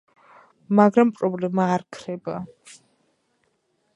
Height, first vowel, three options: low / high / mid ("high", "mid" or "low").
low